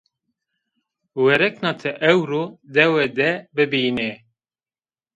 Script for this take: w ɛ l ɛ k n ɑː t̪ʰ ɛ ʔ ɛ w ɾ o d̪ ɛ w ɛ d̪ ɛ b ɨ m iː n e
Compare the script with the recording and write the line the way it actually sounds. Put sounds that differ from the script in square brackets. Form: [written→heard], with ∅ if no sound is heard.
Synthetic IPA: w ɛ [l→ɾ] ɛ k n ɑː t̪ʰ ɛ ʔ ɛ w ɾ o d̪ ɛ w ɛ d̪ ɛ b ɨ [m→b] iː n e